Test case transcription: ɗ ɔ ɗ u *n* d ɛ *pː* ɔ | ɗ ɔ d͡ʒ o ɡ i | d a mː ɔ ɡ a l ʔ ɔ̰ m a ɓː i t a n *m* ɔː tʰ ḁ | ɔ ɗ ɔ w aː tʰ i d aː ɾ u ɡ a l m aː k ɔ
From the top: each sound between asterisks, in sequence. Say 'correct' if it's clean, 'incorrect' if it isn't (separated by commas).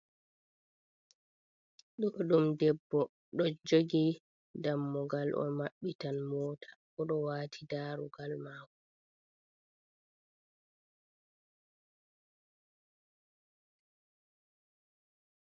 incorrect, incorrect, correct